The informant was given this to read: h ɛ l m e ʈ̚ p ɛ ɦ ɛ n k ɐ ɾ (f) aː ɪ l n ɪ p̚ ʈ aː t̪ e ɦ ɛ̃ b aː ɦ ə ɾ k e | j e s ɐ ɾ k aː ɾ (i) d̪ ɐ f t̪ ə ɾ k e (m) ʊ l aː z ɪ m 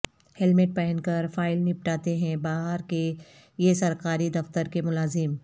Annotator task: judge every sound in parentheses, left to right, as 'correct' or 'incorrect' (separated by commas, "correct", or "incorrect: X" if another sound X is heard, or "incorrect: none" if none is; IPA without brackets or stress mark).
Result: correct, correct, correct